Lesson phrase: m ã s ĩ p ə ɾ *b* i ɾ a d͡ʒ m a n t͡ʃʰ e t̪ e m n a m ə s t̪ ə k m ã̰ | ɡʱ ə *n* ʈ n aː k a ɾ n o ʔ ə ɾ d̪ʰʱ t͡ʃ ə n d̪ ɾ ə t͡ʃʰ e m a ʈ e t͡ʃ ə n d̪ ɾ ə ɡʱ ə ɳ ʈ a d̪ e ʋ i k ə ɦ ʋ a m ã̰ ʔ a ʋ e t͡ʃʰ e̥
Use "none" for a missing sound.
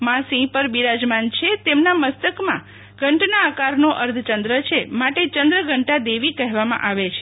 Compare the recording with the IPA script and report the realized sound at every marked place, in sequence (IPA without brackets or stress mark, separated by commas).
b, ɳ